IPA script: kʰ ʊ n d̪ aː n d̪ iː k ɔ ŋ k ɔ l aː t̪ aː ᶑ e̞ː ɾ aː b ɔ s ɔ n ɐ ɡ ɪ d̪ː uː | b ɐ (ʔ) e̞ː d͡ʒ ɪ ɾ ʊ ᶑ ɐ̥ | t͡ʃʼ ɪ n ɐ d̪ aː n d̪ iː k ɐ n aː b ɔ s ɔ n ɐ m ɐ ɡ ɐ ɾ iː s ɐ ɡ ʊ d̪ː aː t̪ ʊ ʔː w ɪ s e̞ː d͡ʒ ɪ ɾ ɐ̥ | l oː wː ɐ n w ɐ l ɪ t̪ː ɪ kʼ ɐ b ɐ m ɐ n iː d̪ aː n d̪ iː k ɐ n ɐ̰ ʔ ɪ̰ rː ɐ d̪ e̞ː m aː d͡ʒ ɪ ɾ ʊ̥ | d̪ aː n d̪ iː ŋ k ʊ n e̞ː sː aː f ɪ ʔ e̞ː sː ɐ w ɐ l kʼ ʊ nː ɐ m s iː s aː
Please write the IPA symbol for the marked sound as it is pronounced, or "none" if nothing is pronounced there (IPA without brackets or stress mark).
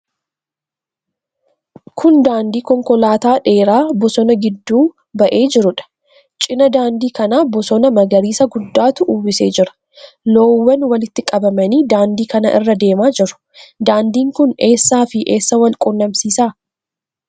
ʔ